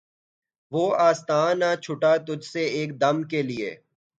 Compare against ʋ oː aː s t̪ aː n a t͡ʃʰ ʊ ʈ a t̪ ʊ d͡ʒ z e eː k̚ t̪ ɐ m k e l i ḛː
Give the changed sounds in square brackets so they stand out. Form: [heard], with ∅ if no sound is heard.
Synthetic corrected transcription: ʋ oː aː s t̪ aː n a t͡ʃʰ ʊ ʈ a t̪ ʊ d͡ʒ [s] e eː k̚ [d̪] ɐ m k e l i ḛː